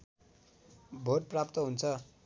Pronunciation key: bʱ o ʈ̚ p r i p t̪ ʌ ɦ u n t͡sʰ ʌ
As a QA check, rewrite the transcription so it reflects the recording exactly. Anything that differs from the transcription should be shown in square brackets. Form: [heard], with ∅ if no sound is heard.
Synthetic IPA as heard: bʱ o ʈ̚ p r [a] p t̪ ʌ ɦ u n t͡sʰ ʌ